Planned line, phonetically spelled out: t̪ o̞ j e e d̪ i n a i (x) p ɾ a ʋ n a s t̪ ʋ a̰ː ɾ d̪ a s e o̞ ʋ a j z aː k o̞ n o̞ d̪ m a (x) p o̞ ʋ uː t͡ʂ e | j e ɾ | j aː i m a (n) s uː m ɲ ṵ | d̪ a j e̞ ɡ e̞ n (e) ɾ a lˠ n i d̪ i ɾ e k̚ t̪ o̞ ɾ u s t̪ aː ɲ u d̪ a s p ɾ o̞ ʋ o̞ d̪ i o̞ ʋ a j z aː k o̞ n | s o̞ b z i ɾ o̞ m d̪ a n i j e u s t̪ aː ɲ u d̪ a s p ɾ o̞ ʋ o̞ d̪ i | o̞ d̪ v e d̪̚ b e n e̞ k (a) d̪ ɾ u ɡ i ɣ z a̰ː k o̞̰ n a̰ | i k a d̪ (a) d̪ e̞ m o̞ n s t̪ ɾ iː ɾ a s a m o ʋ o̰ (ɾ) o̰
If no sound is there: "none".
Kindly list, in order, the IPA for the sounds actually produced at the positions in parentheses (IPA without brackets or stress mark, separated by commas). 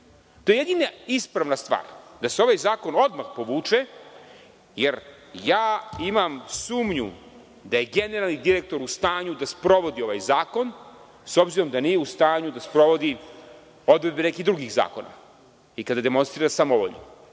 s, x, m, e, i, a, ʎ